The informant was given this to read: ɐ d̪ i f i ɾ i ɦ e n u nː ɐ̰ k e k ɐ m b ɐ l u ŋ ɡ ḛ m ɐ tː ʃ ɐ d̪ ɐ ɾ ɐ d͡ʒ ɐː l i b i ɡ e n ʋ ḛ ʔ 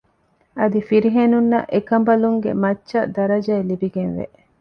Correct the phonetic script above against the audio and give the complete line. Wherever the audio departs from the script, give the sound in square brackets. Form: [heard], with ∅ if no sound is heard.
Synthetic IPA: ɐ d̪ i f i ɾ i ɦ e n u nː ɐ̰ [ʔ] e k ɐ m b ɐ l u ŋ ɡ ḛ m ɐ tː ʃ ɐ d̪ ɐ ɾ ɐ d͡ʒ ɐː l i b i ɡ e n ʋ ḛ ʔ